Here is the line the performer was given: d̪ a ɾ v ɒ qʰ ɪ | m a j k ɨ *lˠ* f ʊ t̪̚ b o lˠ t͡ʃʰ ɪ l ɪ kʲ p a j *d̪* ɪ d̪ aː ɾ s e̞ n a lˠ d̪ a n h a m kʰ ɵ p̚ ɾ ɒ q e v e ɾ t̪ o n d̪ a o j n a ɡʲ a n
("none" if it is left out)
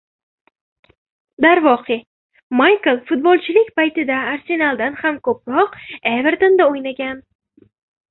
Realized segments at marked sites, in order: lˠ, t̪

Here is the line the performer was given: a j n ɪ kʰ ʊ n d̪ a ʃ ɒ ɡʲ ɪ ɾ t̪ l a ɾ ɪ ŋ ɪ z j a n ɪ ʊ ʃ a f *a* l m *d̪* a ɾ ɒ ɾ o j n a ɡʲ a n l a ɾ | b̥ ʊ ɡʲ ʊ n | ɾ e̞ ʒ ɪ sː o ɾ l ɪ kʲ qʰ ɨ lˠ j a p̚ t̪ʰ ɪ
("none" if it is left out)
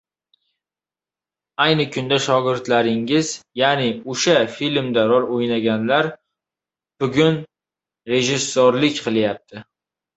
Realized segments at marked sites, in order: i, d̪

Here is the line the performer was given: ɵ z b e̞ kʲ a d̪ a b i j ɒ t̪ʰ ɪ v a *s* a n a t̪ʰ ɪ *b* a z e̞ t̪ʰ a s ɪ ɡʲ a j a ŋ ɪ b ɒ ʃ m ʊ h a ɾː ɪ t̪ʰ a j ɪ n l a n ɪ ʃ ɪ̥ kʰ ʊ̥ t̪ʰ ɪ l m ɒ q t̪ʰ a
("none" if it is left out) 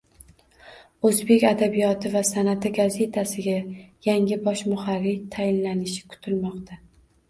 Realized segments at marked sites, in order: s, ɡ

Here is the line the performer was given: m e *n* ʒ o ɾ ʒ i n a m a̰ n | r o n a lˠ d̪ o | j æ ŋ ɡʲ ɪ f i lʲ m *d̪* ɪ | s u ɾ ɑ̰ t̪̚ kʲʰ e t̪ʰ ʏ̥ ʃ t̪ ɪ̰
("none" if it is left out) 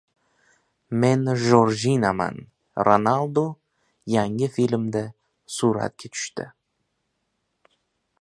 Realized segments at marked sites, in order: n, d̪

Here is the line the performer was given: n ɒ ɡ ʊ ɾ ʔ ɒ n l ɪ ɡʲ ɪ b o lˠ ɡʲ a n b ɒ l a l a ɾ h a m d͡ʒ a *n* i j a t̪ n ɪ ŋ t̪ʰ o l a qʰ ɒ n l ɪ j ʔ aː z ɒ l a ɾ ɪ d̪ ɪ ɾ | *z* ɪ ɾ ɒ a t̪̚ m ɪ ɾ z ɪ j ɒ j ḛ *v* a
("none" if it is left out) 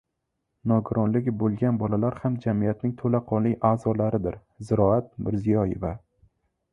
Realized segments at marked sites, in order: m, z, v

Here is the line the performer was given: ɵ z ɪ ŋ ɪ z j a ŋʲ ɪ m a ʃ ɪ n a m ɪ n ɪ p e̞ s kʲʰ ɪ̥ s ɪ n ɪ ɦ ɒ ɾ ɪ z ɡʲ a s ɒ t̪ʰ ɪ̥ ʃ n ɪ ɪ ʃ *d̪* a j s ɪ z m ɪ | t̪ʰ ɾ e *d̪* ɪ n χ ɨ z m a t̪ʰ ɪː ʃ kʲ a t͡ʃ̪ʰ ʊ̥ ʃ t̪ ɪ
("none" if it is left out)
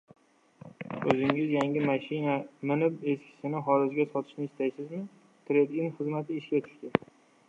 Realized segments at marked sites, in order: t̪, d̪

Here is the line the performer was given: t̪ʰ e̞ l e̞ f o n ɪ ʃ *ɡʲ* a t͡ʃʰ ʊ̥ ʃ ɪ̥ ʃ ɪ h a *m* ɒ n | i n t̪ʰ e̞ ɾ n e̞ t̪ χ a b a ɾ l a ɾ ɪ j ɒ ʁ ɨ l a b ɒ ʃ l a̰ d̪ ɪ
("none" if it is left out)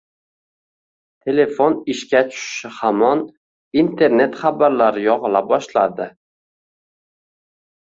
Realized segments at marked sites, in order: kʲ, m

